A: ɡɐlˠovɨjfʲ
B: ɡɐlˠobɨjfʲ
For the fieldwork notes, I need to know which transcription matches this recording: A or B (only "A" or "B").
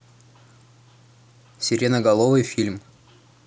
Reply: A